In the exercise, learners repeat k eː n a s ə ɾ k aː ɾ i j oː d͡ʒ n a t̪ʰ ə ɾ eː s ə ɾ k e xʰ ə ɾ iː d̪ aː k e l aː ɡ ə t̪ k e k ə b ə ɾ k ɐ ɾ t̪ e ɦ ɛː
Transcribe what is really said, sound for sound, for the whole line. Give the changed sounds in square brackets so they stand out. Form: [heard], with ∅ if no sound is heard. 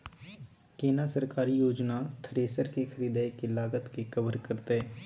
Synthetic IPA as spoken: k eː n a s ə ɾ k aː ɾ i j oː d͡ʒ n a t̪ʰ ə ɾ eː s ə ɾ k e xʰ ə ɾ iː d̪ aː k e l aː ɡ ə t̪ k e k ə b ə ɾ k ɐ ɾ t̪ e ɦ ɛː

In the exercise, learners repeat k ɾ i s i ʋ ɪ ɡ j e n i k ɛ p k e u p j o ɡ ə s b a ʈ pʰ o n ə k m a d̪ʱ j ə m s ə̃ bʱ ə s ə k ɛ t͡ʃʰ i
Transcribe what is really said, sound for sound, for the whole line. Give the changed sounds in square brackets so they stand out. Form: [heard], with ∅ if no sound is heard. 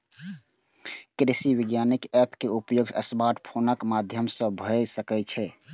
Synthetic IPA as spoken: k ɾ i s i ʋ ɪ ɡ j [a] n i k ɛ p k e u p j o ɡ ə s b a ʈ pʰ o n ə k m a d̪ʱ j ə m s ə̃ bʱ ə s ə k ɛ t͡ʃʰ [ɛ]

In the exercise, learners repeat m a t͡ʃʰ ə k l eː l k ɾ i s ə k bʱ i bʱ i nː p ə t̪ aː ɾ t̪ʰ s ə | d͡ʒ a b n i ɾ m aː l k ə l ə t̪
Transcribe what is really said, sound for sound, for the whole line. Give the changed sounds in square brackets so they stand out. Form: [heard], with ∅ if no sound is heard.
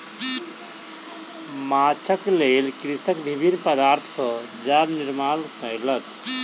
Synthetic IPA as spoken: m a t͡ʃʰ ə k l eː l k ɾ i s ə k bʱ i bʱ i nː p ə [d̪] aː ɾ t̪ʰ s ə | d͡ʒ a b n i ɾ m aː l k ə l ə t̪

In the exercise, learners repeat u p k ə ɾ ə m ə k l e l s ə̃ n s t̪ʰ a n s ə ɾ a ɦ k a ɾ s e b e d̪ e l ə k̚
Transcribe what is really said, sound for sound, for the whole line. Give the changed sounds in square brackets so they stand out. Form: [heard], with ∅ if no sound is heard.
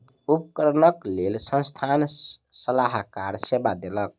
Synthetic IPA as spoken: u p k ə ɾ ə [n] ə k l e l s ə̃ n s t̪ʰ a n s ə [l] a ɦ k a ɾ s e b [a] d̪ e l ə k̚

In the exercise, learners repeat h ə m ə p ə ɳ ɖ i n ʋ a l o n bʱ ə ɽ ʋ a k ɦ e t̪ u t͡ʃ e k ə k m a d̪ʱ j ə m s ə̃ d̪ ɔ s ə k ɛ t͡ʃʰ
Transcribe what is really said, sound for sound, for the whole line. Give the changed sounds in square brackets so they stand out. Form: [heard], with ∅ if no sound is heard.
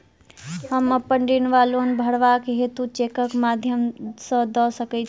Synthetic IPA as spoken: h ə m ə p ə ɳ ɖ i n ʋ a l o n bʱ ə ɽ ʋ a k ɦ e t̪ u t͡ʃ e k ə k m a d̪ʱ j ə m s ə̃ d̪ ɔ s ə k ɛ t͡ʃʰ

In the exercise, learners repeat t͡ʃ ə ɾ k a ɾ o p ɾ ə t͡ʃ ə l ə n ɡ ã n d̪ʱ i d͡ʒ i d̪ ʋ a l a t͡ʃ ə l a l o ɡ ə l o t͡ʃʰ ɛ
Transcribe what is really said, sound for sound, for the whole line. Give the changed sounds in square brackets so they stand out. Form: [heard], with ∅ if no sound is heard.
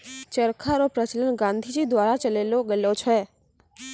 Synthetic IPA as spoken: t͡ʃ ə ɾ [kʰ] a ɾ o p ɾ ə t͡ʃ ə l ə n ɡ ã n d̪ʱ i d͡ʒ i d̪ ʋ a [ɾ] a t͡ʃ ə l [e] l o ɡ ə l o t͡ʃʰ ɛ

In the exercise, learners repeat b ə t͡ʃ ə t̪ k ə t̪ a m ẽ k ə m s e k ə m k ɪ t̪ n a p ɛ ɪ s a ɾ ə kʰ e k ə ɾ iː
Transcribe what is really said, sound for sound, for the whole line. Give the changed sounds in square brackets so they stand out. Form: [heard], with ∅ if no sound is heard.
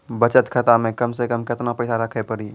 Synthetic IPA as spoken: b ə t͡ʃ ə t̪ [kʰ] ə t̪ a m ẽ k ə m s e k ə m k ɪ t̪ n a p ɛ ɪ s a ɾ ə kʰ e [p] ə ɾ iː

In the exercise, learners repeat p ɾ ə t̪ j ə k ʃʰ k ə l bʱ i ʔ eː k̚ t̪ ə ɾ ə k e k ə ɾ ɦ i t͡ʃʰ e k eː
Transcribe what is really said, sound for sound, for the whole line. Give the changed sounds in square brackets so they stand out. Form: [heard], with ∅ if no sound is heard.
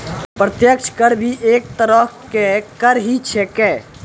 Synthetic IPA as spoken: p ɾ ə t̪ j ə k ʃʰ k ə [ɾ] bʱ i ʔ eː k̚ t̪ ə ɾ ə k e k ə ɾ ɦ i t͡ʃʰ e k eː

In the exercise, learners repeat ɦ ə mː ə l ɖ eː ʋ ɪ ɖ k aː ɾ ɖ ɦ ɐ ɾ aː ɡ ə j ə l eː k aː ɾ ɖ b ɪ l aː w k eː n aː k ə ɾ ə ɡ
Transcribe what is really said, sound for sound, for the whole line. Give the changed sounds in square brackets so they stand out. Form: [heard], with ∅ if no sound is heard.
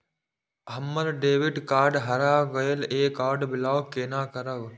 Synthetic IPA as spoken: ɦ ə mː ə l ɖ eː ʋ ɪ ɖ k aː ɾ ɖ ɦ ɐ ɾ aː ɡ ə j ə l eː k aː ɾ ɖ b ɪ l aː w k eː n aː k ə ɾ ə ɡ

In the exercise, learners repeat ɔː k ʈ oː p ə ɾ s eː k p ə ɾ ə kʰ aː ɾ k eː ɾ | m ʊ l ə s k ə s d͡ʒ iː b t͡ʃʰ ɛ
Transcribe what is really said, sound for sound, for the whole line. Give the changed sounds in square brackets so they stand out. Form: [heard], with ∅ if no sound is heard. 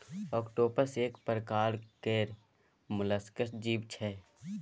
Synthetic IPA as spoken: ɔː k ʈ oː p ə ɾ s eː k p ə ɾ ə [k] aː ɾ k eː ɾ | m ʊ l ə s k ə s d͡ʒ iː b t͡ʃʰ ɛ

